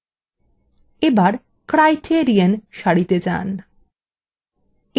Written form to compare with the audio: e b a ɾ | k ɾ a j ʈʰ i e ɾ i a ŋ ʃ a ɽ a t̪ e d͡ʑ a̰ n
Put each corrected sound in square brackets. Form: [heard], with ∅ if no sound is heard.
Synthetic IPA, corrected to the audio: e b a ɾ | k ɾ a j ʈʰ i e ɾ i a [n] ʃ a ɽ [i] t̪ e d͡ʑ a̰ n